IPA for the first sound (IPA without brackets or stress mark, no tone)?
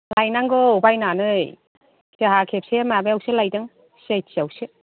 l